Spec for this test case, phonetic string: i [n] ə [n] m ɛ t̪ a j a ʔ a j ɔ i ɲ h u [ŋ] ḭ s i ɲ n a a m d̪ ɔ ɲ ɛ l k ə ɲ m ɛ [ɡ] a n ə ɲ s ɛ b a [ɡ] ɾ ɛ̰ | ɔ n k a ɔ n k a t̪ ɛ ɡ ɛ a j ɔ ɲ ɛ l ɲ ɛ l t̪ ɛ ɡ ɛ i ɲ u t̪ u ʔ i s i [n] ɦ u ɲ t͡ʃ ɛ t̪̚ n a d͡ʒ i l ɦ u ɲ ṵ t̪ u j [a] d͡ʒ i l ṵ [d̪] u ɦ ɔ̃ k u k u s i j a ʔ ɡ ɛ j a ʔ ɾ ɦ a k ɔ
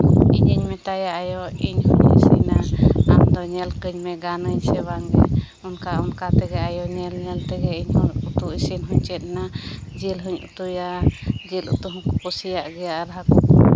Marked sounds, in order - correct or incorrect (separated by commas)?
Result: incorrect, incorrect, incorrect, correct, incorrect, correct, correct, incorrect